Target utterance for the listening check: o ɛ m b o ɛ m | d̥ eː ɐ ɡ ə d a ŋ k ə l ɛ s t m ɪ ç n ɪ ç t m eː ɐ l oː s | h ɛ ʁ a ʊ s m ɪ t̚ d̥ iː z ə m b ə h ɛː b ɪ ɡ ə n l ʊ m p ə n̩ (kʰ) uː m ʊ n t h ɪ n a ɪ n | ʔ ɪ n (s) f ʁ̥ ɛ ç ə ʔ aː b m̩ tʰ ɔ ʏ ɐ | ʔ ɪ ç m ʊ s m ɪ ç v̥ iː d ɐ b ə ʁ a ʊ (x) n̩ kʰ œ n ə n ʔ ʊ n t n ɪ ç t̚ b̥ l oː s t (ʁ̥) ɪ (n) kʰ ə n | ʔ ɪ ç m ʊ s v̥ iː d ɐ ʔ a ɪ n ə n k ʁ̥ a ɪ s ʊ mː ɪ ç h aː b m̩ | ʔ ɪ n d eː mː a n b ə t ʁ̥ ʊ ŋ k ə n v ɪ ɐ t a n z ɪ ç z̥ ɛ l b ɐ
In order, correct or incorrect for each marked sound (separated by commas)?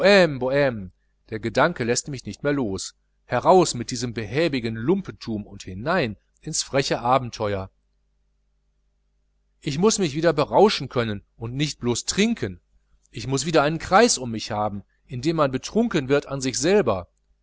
incorrect, correct, incorrect, correct, incorrect